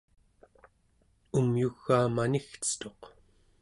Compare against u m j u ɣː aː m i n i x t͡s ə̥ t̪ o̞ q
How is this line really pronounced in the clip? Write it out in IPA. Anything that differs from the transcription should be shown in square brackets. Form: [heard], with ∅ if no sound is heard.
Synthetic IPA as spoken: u m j u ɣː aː m [a] n i x t͡s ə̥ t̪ o̞ q